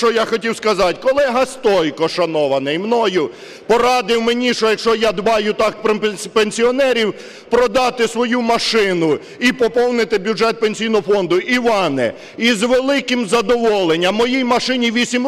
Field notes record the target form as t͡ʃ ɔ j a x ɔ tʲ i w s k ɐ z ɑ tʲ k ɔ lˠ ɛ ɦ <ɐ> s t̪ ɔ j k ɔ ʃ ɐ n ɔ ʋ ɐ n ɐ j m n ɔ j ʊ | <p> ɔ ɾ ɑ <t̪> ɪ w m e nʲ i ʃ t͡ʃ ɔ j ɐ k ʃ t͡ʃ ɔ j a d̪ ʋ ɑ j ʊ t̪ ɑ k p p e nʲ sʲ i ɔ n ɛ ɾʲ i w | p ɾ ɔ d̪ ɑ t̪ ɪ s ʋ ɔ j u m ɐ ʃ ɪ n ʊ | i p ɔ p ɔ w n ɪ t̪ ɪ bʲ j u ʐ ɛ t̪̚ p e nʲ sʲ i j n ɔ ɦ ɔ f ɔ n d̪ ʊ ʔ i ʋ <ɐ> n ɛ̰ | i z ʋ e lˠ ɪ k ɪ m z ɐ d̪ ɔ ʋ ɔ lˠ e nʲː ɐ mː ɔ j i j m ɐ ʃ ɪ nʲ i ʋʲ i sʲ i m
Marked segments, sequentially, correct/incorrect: correct, correct, incorrect, incorrect

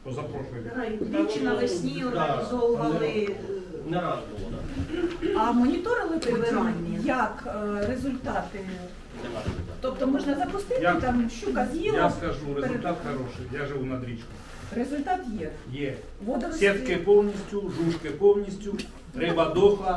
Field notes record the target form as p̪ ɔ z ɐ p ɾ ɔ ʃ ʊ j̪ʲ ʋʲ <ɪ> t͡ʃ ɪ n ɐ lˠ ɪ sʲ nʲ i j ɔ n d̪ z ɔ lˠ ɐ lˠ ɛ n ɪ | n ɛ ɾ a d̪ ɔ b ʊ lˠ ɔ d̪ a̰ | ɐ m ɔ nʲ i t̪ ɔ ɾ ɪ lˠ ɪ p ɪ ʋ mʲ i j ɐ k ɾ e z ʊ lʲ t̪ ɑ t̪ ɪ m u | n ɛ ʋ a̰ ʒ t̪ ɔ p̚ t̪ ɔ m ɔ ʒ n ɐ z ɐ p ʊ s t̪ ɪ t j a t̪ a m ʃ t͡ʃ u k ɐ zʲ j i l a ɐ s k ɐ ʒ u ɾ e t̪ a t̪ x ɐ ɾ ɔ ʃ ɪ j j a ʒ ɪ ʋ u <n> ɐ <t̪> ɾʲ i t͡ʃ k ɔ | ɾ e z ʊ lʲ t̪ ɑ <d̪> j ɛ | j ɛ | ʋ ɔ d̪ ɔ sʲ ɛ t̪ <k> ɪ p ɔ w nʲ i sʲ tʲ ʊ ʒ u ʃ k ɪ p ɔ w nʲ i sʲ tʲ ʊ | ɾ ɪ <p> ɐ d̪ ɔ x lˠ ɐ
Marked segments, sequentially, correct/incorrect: incorrect, correct, incorrect, incorrect, correct, incorrect

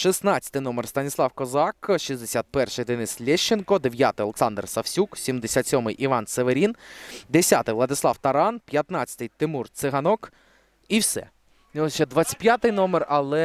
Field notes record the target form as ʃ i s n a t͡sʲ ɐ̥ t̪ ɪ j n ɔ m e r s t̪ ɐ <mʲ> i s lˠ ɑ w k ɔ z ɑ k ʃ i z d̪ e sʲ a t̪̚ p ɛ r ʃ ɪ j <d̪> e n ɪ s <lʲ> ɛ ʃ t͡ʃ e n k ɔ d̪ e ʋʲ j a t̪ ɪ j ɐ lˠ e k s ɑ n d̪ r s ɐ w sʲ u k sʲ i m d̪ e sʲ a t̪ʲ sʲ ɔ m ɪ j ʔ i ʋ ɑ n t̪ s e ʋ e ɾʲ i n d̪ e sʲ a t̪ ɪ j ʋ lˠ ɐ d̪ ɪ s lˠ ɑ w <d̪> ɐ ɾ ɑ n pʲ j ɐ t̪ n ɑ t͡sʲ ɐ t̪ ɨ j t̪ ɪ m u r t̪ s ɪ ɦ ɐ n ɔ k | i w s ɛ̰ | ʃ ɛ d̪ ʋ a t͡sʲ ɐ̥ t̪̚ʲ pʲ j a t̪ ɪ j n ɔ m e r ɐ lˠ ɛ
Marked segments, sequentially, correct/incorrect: incorrect, correct, correct, incorrect

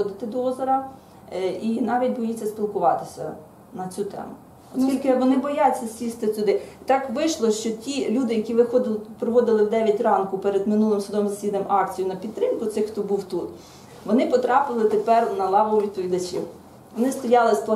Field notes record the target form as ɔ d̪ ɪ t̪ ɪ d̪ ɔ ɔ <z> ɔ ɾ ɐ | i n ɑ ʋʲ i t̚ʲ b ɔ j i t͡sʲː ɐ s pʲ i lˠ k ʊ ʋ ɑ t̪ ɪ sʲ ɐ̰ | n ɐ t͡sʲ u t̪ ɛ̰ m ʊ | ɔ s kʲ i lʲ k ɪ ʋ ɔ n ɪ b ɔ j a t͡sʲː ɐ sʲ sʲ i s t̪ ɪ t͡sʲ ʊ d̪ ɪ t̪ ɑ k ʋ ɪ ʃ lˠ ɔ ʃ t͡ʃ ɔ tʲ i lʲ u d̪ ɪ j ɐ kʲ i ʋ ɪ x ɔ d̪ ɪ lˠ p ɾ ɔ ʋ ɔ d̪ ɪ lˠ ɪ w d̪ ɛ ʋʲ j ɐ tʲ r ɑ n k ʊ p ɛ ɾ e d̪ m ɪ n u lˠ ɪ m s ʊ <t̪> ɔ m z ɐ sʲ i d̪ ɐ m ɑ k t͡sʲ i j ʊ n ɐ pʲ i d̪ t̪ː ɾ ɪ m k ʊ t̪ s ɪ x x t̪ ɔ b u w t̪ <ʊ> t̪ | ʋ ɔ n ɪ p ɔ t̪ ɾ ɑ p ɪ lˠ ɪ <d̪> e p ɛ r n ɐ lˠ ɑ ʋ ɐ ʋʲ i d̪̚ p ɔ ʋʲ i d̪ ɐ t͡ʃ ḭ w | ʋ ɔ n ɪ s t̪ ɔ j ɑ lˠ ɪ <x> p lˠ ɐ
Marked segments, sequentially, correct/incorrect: correct, incorrect, incorrect, incorrect, incorrect

